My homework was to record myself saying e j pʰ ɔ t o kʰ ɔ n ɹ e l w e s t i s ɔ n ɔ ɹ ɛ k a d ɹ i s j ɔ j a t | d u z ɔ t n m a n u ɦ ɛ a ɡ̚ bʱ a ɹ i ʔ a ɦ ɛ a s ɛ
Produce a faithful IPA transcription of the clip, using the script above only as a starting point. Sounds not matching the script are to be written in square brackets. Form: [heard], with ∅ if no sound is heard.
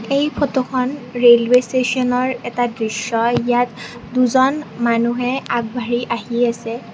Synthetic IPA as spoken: e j pʰ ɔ t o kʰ ɔ n ɹ e l w e s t [e] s ɔ n ɔ ɹ ɛ [t] a d ɹ i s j ɔ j a t | d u z ɔ [∅] n m a n u ɦ ɛ a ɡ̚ bʱ a ɹ i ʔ a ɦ [i] a s ɛ